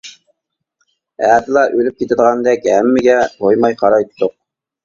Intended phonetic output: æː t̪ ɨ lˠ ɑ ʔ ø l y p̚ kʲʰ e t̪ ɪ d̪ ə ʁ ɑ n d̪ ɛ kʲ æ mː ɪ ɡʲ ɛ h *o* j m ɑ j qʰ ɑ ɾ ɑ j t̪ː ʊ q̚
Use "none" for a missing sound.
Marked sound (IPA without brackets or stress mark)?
o